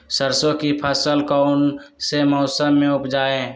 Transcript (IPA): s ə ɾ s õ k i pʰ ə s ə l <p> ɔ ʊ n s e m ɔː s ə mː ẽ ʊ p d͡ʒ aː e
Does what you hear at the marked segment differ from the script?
yes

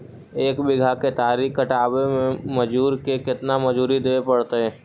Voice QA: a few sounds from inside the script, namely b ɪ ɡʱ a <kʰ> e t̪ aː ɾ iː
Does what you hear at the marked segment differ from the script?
yes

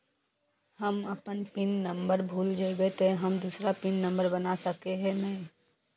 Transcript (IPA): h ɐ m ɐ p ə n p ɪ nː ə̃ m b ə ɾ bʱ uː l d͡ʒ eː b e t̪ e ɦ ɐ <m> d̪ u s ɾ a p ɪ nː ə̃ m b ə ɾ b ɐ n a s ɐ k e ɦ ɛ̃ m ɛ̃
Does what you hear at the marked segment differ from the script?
no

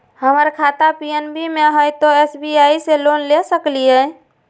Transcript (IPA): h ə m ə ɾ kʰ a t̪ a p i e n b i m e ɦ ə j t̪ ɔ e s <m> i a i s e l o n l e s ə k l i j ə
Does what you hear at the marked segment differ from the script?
yes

